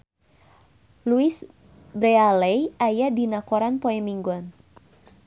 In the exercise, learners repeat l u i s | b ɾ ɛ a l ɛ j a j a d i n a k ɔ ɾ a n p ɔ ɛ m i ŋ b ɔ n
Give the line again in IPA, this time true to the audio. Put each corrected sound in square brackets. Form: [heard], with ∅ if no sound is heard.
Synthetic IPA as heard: l u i s | b ɾ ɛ a l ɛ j a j a d i n a k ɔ ɾ a n p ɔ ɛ m i ŋ [ɡ] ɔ n